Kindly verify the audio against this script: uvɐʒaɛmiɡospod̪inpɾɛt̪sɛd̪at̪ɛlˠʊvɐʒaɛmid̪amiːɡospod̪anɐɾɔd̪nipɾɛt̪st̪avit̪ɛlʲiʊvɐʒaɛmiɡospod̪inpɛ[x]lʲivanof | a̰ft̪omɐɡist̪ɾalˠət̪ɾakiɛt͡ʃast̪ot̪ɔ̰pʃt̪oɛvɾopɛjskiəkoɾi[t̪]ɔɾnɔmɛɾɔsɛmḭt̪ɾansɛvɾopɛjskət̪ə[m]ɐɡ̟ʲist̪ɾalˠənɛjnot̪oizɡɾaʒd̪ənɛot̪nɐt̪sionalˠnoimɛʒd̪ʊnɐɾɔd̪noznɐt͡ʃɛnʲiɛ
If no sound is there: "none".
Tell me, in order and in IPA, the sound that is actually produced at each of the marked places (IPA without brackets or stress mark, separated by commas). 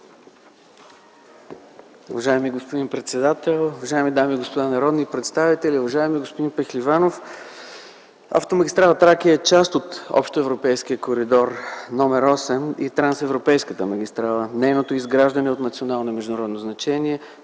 x, d̪, m